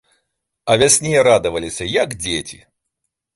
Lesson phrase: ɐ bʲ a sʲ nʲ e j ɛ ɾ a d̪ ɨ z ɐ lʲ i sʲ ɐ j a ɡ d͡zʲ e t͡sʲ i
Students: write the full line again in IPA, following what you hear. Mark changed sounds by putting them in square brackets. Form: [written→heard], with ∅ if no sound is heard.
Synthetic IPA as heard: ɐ [bʲ→vʲ] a sʲ nʲ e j ɛ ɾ a d̪ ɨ [z→v] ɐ lʲ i sʲ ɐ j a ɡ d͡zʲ e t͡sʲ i